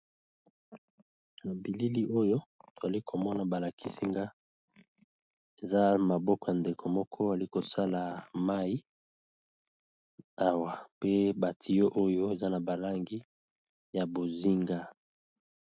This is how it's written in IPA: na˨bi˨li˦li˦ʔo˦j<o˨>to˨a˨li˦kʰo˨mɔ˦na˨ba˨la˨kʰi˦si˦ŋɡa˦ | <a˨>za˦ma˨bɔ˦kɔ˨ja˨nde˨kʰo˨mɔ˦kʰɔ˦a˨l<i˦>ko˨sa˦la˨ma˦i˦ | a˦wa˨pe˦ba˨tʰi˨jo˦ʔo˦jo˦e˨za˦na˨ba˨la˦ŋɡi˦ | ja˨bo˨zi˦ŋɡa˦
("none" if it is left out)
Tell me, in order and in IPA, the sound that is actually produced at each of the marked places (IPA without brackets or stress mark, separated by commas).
o˦, e˨, i˦